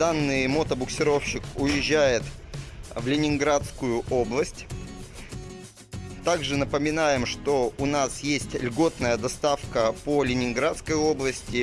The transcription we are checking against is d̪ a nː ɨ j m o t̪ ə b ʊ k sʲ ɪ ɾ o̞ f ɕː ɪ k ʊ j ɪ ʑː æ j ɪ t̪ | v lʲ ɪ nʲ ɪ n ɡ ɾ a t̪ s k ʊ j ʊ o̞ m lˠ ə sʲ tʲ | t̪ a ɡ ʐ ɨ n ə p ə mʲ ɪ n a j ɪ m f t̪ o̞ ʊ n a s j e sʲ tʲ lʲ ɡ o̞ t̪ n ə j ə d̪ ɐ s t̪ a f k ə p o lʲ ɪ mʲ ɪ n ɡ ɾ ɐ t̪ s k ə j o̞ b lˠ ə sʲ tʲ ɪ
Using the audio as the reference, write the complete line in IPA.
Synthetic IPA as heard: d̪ a nː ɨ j m o t̪ ə b ʊ k sʲ ɪ ɾ o̞ f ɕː ɪ k ʊ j ɪ ʑː æ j ɪ t̪ | v lʲ ɪ nʲ ɪ n ɡ ɾ a t̪ s k ʊ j ʊ o̞ b lˠ ə sʲ tʲ | t̪ a ɡ ʐ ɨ n ə p ə mʲ ɪ n a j ɪ m ʂ t̪ o̞ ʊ n a s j e sʲ tʲ lʲ ɡ o̞ t̪ n ə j ə d̪ ɐ s t̪ a f k ə p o lʲ ɪ nʲ ɪ n ɡ ɾ a t̪ s k ə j o̞ b lˠ ə sʲ tʲ ɪ

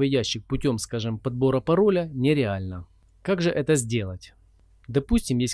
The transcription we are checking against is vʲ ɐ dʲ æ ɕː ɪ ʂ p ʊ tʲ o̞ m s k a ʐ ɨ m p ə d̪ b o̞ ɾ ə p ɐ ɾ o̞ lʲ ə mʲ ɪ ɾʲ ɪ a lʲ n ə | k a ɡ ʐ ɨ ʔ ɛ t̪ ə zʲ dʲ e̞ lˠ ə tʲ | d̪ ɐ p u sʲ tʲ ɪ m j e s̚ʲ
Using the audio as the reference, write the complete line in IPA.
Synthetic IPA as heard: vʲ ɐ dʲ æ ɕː ɪ x p ʊ tʲ o̞ m s k a ʐ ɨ m p ɐ d̪ b o̞ ɾ ə p ɐ ɾ o̞ lʲ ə nʲ ɪ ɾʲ ɪ a lʲ n ə | k a ɡ ʐ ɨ ʔ ɛ t̪ ə zʲ dʲ e̞ lˠ ə tʲ | d̪ ɐ p u sʲ tʲ ɪ m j e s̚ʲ

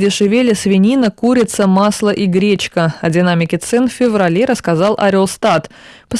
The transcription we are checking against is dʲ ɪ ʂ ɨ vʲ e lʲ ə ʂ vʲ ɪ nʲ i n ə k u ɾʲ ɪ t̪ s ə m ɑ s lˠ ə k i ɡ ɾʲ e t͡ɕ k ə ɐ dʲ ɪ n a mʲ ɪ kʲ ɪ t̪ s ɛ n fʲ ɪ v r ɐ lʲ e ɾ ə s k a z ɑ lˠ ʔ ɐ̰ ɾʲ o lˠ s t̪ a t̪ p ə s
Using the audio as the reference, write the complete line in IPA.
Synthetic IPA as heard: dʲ ɪ ʂ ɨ vʲ e lʲ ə s vʲ ɪ nʲ i n ə k u ɾʲ ɪ t̪ s ə m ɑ s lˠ ə ʔ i ɡ ɾʲ e t͡ɕ k ə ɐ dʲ ɪ n a mʲ ɪ kʲ ɪ t̪ s ɛ n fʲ ɪ v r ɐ lʲ e ɾ ə s k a z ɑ lˠ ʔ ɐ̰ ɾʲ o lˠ s t̪ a t̪ p ə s

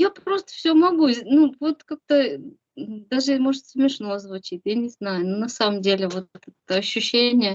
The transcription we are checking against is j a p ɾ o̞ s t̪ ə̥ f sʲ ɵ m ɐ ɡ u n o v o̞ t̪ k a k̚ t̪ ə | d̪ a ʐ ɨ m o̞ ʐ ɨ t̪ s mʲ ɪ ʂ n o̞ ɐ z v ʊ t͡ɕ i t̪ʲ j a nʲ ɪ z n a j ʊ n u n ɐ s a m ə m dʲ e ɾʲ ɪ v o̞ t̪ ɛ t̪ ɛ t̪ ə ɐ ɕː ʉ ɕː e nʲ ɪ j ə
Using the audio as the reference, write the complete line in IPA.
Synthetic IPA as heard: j a p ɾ o̞ s t̪ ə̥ f sʲ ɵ m ɐ ɡ u n u v o̞ t̪ k a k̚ t̪ ə | d̪ a ʐ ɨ m o̞ ʐ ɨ t̪ s mʲ ɪ ʂ n o̞ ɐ z v ʊ t͡ɕ i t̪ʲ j a nʲ ɪ z n a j ʊ n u n ɐ s a m ə m dʲ e lʲ ɪ v o̞ t̪ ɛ t̪ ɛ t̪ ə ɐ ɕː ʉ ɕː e nʲ ɪ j ə

